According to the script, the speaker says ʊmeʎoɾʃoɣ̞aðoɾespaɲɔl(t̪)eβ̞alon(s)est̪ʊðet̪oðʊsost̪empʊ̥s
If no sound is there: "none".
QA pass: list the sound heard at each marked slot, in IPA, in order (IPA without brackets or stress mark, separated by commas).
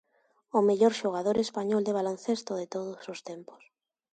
d̪, θ